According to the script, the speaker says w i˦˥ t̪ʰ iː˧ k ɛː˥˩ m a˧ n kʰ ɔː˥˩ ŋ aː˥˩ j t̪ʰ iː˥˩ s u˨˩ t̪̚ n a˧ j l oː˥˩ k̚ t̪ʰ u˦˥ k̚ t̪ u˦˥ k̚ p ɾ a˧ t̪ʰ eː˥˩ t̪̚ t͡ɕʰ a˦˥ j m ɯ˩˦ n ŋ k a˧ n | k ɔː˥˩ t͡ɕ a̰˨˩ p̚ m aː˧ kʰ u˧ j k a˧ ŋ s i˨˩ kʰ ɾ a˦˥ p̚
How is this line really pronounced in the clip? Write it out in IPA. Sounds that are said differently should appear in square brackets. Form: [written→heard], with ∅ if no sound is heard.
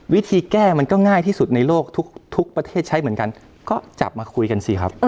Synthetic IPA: w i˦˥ t̪ʰ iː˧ k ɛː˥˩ m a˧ n [kʰ→k] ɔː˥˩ ŋ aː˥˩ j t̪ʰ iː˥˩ s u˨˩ t̪̚ n a˧ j l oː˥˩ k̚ t̪ʰ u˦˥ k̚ [t̪→t̪ʰ] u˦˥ k̚ p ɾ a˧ t̪ʰ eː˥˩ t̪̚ t͡ɕʰ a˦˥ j m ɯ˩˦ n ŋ k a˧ n | k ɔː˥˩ t͡ɕ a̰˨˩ p̚ m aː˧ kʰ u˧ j k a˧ [ŋ→n] s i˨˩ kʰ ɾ a˦˥ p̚